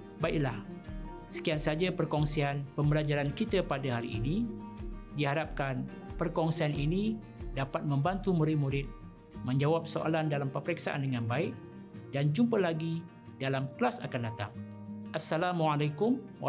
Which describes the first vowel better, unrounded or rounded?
unrounded